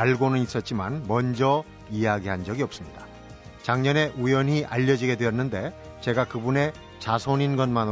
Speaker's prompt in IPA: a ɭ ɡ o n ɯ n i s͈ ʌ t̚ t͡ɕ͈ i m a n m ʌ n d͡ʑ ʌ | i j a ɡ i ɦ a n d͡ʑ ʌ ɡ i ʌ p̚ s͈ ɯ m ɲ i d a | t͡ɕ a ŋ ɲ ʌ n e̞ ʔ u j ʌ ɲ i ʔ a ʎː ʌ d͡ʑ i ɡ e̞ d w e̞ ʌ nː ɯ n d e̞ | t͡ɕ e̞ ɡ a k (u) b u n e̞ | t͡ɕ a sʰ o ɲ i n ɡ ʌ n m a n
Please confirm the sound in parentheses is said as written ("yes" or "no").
no